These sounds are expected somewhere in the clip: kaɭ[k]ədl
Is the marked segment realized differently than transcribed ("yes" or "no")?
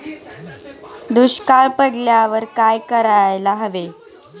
yes